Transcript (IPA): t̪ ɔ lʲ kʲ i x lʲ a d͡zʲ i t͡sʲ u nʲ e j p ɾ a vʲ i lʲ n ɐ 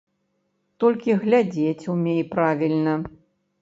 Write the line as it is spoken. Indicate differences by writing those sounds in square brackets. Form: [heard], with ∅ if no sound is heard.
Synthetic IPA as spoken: t̪ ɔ lʲ kʲ i [ɣ] lʲ a d͡zʲ [e] t͡sʲ u [mʲ] e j p ɾ a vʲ i lʲ n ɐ